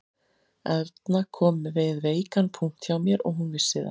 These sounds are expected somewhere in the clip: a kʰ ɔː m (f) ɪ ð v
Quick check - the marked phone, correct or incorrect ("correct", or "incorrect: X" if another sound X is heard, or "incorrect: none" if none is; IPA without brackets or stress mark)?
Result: incorrect: v